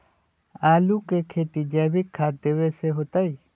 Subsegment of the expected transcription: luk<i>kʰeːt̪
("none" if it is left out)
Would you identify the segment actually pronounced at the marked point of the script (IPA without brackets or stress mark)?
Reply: e